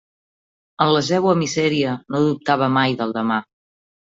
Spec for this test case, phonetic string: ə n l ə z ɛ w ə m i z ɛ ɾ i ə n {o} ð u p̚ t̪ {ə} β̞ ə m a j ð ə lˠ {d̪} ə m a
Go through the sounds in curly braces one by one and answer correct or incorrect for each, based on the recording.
correct, incorrect, correct

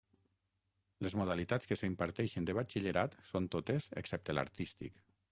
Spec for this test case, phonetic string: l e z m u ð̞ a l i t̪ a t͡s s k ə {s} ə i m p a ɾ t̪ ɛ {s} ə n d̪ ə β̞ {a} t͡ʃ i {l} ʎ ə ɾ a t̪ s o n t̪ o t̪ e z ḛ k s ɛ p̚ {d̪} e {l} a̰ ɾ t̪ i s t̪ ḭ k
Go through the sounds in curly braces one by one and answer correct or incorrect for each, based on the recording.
correct, incorrect, correct, incorrect, incorrect, correct

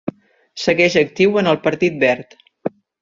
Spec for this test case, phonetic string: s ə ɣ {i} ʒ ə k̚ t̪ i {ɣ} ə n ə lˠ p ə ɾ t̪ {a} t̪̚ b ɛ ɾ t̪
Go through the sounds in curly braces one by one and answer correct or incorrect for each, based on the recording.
incorrect, incorrect, incorrect

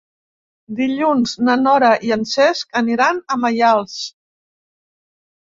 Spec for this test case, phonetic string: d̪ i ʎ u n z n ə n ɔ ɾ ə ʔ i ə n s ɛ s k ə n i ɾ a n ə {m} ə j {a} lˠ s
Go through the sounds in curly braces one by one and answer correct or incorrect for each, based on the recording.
correct, correct

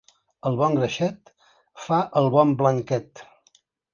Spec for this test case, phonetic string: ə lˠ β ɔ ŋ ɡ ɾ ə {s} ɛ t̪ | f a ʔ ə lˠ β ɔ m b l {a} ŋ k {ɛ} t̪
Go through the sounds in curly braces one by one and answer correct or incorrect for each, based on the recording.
incorrect, incorrect, correct

